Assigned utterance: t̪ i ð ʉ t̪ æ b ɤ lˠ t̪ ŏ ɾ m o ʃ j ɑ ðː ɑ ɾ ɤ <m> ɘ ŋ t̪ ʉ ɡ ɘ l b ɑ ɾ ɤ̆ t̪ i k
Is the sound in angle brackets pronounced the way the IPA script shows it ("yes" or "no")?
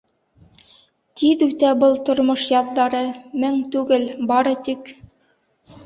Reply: yes